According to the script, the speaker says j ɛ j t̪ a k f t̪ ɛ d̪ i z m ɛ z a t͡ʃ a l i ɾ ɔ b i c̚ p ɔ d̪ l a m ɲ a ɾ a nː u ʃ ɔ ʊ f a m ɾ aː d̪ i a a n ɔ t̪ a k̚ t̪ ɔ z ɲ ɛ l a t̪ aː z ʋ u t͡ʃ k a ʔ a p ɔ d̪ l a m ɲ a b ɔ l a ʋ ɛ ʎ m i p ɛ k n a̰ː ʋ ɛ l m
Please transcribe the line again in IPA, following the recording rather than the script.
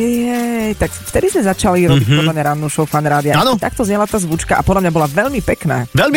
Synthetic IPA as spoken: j ɛ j t̪ a k f t̪ ɛ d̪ i z m ɛ z a t͡ʃ a l i ɾ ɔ b i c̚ p ɔ d̪ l a m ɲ a ɾ a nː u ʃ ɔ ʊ f a n ɾ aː d̪ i a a n ɔ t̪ a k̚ t̪ ɔ z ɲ ɛ l a t̪ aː z ʋ u t͡ʃ k a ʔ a p ɔ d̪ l a m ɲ a b ɔ l a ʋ ɛ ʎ m i p ɛ k n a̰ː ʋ ɛ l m